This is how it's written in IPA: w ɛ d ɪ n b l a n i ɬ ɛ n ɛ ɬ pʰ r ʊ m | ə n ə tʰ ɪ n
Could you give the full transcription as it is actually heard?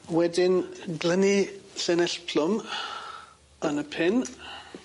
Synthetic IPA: w ɛ d ɪ n ɡ l ə n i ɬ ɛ n ɛ ɬ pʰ l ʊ m | ə n ə pʰ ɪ n

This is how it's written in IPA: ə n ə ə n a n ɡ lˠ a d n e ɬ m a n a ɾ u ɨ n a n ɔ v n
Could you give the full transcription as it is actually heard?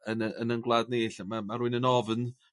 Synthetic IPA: ə n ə ə n ə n ɡ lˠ a d n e ɬ m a m a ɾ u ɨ n ə n ɔ v n

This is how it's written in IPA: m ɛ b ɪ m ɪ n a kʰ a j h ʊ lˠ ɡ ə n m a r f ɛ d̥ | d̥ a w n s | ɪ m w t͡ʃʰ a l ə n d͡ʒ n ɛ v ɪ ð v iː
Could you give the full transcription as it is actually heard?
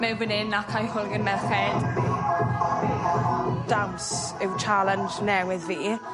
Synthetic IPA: m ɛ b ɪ n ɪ n a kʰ a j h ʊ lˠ ɡ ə n m ɛ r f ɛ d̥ | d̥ a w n s | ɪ w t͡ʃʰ a l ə n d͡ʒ n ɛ w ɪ ð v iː

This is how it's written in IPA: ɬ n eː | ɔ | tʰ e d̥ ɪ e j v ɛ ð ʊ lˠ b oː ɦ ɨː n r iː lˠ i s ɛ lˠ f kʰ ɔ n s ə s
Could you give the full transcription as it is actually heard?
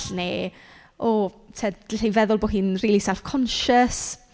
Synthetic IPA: ɬ n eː | ɔ | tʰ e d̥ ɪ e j v ɛ ð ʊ lˠ b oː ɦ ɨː n r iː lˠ i s ɛ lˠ f kʰ ɔ n ʃ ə s

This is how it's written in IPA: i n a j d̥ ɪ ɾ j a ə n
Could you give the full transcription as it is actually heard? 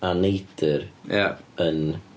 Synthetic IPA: a n e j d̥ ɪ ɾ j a ə n

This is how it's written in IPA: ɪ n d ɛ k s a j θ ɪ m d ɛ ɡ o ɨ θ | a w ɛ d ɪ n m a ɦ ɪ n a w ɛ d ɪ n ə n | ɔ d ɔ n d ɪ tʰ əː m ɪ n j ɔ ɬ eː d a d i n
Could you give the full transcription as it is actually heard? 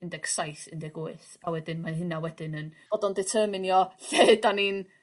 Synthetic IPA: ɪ n d ɛ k s a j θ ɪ n d ɛ ɡ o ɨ θ | a w ɛ d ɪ n m a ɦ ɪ n a w ɛ d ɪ n ə n | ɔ d ɔ n d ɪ tʰ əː m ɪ n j ɔ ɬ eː d a n i n

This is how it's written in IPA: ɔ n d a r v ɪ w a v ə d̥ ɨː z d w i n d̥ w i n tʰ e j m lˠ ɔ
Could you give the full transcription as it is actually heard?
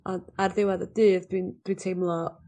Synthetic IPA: ɔ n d a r ð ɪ w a ð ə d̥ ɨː ð d w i n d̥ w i n tʰ e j m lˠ ɔ

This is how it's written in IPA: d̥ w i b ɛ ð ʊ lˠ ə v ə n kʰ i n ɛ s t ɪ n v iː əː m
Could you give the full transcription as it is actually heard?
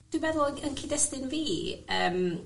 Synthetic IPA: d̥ w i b ɛ ð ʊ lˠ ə ə n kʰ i d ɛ s t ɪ n v iː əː m

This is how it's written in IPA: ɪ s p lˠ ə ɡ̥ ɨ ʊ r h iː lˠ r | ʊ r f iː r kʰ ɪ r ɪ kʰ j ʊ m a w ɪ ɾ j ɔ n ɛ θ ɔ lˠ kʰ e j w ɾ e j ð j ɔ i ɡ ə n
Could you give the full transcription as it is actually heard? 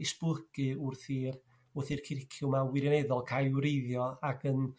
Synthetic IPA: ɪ s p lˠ ə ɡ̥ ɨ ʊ r θ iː r | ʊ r θ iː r kʰ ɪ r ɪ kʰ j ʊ m a w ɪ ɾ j ɔ n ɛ ð ɔ lˠ kʰ a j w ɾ e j ð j ɔ a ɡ ə n

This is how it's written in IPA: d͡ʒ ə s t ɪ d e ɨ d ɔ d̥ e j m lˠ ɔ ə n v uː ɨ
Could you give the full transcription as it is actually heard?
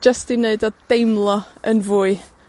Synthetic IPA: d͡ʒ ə s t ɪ n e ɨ d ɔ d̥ e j m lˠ ɔ ə n v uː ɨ

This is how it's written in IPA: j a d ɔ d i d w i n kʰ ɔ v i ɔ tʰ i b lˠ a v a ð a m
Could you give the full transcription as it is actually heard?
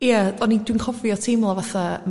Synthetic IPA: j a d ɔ n i d w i n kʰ ɔ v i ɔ tʰ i m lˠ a v a θ a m

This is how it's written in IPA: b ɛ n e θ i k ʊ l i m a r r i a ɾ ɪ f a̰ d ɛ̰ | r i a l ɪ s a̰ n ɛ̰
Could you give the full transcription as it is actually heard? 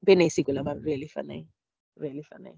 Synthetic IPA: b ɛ n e s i k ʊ l a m a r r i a l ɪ f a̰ n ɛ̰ | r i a l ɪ f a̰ n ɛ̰

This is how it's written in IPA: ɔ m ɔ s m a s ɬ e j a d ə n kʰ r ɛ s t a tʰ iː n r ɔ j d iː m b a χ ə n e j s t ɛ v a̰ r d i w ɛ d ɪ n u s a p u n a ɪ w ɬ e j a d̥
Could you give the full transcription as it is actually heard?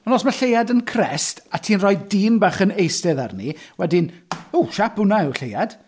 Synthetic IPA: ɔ n ɔ s m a ɬ e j a d ə n kʰ r ɛ s t a tʰ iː n r ɔ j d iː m b a χ ə n e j s t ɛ ð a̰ r n i w ɛ d ɪ n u ʃ a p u n a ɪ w ɬ e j a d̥

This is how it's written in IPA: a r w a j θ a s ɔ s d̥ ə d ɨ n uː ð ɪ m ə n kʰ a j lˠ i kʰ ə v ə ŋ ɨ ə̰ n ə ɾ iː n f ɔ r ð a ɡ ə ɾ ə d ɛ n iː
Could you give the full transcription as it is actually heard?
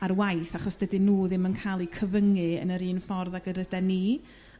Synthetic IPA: a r w a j θ a χ ɔ s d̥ ə d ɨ n uː ð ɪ m ə n kʰ a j lˠ i kʰ ə v ə ŋ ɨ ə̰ n ə ɾ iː n f ɔ r ð a ɡ ə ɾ ə d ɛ n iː

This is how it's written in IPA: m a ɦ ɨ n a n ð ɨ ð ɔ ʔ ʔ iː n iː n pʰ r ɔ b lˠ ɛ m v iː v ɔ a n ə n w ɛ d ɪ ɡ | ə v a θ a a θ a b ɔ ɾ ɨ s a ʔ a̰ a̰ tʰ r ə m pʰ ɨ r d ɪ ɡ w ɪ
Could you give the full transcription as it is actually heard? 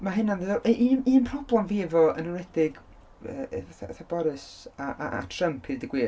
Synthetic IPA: m a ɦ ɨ n a n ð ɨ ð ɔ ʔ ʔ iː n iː n pʰ r ɔ b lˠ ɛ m v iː v ɔ ə n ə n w ɛ d ɪ ɡ | ə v a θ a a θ a b ɔ ɾ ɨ s a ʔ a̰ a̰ tʰ r ə m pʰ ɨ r d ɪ ɡ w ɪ

